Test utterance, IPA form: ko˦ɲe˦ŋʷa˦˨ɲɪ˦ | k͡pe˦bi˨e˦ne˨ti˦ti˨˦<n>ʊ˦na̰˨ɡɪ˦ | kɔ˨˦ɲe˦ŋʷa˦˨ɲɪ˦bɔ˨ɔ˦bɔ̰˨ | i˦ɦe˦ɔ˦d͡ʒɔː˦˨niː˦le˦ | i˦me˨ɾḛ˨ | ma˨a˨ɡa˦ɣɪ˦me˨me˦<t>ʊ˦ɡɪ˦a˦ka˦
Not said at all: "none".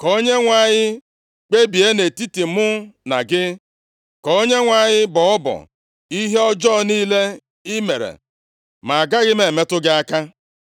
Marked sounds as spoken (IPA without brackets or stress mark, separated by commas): m, t